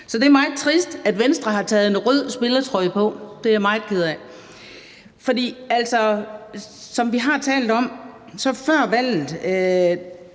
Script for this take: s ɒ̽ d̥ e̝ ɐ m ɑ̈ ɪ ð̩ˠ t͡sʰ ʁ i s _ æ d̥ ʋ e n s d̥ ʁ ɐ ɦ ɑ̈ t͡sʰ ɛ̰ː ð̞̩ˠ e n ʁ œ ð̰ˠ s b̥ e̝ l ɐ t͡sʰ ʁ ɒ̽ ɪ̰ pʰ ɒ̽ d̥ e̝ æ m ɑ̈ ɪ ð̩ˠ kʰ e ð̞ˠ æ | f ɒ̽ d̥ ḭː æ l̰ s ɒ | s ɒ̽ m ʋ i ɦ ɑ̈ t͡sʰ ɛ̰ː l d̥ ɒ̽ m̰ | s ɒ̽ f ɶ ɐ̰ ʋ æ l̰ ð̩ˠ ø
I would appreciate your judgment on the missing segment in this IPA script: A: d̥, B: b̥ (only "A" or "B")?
A